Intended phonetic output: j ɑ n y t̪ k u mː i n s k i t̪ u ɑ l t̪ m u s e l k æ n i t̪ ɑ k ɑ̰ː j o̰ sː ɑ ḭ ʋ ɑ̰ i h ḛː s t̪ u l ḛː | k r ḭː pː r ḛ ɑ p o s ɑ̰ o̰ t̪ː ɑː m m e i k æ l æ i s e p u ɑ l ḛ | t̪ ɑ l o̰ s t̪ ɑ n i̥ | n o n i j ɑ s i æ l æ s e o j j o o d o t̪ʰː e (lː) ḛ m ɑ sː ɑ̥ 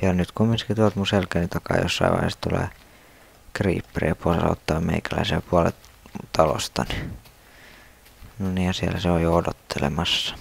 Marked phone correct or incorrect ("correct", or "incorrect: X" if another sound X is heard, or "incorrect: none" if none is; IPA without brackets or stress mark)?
incorrect: l